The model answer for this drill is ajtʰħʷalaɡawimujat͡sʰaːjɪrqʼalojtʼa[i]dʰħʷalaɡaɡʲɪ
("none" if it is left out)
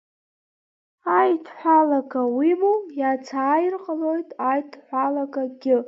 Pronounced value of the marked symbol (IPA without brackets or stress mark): j